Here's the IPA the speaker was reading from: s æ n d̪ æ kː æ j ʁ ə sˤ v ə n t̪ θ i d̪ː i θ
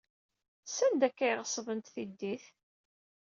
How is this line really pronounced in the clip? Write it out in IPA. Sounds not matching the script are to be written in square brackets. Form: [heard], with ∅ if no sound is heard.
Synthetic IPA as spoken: s æ n d̪ æ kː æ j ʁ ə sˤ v ə n t̪ θ i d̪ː i θ

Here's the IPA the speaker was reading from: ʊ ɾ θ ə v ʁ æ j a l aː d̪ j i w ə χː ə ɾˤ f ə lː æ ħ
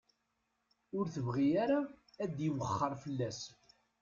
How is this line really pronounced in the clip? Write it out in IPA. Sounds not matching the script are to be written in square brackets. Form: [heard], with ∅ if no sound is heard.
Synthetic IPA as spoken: ʊ ɾ θ ə v ʁ [i] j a [ɾ] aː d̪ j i w ə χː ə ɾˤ f ə lː æ [s]

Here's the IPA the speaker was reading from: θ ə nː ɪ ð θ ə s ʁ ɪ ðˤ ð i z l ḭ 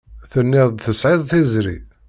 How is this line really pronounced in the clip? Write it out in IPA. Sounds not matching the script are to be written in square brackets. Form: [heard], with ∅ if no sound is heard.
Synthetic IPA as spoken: θ ə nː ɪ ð θ ə s [ʕ] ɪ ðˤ [θ] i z [ɾ] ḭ

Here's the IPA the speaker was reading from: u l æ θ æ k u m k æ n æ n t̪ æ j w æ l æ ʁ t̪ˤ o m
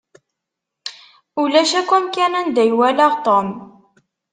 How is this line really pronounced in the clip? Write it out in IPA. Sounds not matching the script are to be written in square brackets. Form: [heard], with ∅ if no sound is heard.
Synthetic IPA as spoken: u l æ [ʃ] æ k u m k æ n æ n [d̪] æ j w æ l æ ʁ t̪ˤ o m

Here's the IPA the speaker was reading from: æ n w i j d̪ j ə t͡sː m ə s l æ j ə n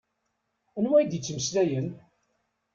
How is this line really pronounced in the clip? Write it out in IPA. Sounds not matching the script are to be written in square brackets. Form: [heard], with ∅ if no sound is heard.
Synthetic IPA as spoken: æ n w [æ] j d̪ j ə t͡sː m ə s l æ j ə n

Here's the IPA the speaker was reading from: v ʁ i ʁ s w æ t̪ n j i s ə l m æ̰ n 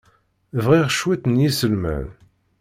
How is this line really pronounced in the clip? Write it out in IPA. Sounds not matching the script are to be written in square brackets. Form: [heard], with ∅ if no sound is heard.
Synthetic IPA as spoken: v ʁ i ʁ [ʃ] w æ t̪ n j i s ə l m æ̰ n

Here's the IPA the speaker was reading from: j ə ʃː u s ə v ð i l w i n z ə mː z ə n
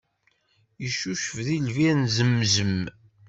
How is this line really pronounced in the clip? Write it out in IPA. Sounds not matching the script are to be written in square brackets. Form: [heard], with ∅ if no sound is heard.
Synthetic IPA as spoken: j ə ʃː u [ʃ] ə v ð i l [v] i n z ə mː z ə [m]

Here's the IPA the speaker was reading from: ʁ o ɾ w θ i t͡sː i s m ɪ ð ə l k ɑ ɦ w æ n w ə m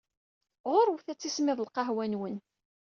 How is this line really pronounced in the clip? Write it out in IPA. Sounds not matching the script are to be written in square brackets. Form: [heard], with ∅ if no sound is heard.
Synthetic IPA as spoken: ʁ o ɾ w θ [æ] t͡sː i s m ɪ ð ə l [q] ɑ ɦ w æ n w ə [n]

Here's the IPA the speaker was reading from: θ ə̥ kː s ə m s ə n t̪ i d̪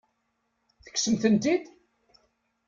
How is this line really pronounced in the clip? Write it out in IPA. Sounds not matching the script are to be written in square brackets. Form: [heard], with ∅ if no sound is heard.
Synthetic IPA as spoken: θ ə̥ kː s ə m [θ] ə n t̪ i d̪

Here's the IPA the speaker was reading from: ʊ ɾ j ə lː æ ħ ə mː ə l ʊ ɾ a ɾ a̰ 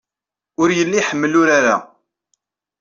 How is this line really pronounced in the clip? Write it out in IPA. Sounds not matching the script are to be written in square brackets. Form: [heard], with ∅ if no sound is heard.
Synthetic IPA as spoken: ʊ ɾ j ə lː [i] ħ ə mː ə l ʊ ɾ a ɾ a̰

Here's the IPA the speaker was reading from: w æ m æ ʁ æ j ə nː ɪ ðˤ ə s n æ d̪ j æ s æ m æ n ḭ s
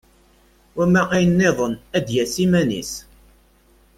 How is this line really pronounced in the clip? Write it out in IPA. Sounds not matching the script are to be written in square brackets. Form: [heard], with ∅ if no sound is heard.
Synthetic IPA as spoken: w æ m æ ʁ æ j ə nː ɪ ðˤ ə [∅] n æ d̪ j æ s [i] m æ n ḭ s

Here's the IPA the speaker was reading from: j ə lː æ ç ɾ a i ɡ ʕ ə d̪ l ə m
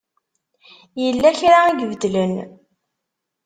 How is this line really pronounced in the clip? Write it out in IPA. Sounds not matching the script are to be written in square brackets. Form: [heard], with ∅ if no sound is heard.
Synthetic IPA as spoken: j ə lː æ ç ɾ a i ɡ [v] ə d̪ l ə [n]

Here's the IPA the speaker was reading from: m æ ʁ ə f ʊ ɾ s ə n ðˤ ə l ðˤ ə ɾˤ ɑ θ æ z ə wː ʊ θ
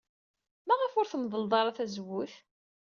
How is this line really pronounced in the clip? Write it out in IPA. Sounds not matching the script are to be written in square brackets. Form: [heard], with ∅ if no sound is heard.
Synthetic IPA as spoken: m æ ʁ ə f ʊ ɾ [θ] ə [m] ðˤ ə l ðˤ [ɑ] ɾˤ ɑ θ æ z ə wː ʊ θ

